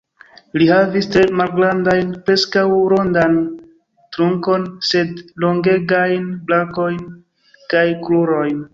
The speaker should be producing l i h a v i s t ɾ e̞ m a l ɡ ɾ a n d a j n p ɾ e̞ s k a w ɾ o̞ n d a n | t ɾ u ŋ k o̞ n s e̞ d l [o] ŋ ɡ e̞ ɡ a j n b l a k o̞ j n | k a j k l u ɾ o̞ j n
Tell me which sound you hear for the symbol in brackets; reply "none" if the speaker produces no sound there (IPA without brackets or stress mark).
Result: o